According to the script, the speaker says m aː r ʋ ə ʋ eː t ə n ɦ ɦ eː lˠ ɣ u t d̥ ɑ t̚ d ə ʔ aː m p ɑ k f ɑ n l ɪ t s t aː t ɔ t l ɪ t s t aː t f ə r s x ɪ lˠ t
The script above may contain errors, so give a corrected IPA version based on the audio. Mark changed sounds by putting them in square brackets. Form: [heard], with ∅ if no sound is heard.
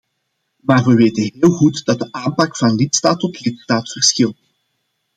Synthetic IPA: m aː r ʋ ə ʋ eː t ə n ɦ ɦ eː lˠ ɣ u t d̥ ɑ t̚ d ə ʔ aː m p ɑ k f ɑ n l ɪ t s t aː t ɔ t l ɪ t s t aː t f ə r s x ɪ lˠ t